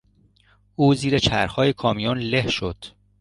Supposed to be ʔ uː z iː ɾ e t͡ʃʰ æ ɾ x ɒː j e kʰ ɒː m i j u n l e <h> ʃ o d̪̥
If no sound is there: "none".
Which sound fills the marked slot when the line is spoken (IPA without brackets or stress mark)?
h